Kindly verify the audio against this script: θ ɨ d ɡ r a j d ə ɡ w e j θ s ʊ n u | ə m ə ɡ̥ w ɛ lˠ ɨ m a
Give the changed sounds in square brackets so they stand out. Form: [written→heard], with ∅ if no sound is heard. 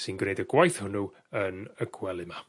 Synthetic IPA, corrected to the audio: [θ→s] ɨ [d→n] ɡ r [a→e] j d ə ɡ w [e→a] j θ [s→h] ʊ n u | ə [m→n] ə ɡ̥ w ɛ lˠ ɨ m a